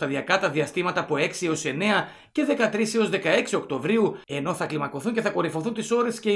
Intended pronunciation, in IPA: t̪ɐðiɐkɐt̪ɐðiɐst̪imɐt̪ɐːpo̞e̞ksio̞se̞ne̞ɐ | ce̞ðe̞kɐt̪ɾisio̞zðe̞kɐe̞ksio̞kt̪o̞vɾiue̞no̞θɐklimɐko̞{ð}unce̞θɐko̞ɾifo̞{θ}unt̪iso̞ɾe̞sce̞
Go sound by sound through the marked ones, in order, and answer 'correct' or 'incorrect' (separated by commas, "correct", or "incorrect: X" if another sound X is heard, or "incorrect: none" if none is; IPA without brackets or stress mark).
incorrect: θ, correct